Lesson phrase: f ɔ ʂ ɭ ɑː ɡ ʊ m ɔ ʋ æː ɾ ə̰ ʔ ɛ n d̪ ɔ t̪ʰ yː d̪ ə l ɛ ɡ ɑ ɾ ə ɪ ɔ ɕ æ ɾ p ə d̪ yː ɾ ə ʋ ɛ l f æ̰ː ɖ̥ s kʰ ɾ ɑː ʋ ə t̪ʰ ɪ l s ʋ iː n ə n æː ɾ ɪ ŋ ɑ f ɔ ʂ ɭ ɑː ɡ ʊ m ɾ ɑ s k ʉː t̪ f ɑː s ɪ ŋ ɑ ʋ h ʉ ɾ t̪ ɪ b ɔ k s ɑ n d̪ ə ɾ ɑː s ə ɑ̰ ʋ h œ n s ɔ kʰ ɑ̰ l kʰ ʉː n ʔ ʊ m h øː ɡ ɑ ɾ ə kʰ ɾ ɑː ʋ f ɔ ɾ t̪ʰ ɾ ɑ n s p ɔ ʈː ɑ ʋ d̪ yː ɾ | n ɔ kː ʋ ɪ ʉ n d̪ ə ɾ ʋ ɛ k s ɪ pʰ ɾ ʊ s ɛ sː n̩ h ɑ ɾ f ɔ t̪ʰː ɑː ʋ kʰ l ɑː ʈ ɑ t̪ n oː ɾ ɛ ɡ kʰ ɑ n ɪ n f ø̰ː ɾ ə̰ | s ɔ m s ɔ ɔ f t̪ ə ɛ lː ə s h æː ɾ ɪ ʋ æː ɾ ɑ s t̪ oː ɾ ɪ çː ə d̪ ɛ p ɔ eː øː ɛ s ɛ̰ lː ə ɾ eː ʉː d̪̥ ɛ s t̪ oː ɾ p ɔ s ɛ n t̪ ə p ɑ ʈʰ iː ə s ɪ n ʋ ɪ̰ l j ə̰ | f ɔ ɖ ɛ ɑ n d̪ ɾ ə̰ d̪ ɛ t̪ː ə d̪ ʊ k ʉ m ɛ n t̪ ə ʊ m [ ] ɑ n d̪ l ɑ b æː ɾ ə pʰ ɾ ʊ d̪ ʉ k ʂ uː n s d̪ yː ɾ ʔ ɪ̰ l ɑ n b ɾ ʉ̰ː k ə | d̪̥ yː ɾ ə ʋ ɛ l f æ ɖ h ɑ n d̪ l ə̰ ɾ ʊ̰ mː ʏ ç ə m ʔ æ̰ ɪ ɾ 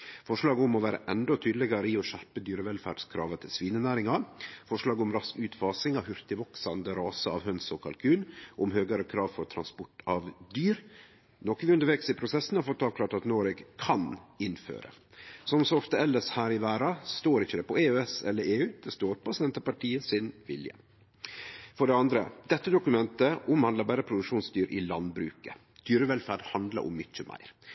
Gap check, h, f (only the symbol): h